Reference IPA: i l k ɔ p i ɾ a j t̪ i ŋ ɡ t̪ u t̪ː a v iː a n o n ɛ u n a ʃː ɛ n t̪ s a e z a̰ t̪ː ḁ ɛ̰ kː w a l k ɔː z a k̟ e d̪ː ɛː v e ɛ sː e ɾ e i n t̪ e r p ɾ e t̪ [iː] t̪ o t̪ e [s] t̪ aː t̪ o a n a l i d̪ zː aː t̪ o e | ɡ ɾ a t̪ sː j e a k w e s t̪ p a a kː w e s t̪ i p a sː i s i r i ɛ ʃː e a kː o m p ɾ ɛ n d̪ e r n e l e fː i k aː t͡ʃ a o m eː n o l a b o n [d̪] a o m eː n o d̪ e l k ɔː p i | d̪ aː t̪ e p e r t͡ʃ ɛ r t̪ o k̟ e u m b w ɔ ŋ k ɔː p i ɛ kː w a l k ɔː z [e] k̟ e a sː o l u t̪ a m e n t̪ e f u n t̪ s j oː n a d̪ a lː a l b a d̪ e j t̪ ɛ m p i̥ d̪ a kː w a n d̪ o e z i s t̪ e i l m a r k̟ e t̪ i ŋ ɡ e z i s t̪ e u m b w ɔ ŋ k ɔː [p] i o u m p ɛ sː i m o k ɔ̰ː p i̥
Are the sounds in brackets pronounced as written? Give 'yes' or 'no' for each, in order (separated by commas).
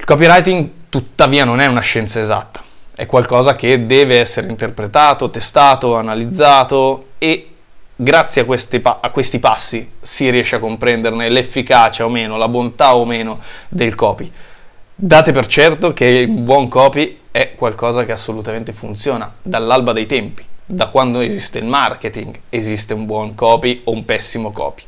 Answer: no, yes, no, no, yes